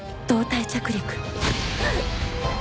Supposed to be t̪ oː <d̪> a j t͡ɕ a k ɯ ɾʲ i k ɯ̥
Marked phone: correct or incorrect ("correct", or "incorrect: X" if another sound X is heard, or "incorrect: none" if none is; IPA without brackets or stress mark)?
incorrect: t̪